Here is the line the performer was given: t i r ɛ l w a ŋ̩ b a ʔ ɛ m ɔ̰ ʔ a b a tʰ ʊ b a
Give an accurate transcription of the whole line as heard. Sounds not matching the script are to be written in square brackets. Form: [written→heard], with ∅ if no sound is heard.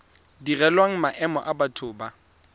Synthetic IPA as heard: [t→d] i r ɛ l w a ŋ̩ [b→m] a ʔ ɛ m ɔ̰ ʔ a b a tʰ [ʊ→ʊː] b a